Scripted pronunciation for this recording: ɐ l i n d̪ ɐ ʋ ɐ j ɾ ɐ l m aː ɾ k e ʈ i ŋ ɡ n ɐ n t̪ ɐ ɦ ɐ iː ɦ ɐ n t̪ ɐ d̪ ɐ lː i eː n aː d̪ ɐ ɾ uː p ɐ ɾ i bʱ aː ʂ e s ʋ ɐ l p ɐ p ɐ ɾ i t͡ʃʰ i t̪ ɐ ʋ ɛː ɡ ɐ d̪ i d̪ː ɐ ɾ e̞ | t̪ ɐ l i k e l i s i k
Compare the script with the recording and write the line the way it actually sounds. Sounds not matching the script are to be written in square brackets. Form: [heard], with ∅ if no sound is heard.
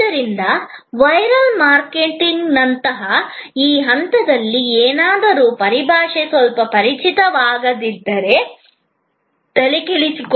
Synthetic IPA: ɐ [ɾ] i n d̪ ɐ ʋ ɐ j ɾ ɐ l m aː ɾ k e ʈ i ŋ ɡ n ɐ n t̪ ɐ ɦ ɐ iː ɦ ɐ n t̪ ɐ d̪ ɐ lː i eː n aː d̪ ɐ ɾ uː p ɐ ɾ i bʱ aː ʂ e s ʋ ɐ l p ɐ p ɐ ɾ i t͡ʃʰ i t̪ ɐ ʋ [aː] ɡ ɐ d̪ i d̪ː ɐ ɾ e̞ | t̪ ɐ l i k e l i s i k